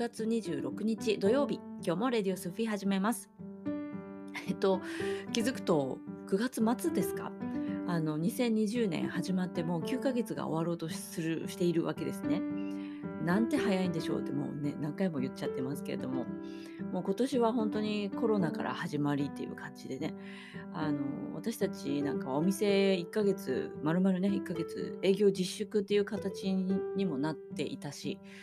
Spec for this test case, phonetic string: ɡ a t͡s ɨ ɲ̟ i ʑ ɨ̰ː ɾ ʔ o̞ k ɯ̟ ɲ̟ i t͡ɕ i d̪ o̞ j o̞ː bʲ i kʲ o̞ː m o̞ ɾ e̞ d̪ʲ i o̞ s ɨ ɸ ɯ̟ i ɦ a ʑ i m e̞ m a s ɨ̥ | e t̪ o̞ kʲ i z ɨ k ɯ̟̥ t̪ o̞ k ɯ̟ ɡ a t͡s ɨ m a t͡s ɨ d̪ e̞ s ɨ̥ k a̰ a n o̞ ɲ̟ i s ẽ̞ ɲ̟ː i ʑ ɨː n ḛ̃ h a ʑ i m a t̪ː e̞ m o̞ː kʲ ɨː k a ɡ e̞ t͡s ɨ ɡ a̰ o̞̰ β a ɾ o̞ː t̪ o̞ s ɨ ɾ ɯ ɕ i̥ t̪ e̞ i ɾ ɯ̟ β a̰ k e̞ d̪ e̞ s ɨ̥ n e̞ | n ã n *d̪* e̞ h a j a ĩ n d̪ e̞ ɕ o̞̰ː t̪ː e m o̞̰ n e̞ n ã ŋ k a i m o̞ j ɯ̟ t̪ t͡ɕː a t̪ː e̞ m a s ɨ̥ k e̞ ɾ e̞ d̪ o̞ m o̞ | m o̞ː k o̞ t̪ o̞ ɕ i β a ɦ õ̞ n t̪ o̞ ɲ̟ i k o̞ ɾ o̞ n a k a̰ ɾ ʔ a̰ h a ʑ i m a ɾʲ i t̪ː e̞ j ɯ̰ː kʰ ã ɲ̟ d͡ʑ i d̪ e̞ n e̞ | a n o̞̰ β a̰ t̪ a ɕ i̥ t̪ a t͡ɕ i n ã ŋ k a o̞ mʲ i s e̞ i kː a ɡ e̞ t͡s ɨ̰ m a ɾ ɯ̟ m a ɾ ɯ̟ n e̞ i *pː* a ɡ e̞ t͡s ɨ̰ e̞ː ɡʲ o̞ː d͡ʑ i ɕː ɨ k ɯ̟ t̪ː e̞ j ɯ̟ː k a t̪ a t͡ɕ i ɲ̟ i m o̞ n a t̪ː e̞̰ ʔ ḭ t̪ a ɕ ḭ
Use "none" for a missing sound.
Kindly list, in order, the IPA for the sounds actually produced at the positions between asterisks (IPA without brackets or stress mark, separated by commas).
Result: t̪, kː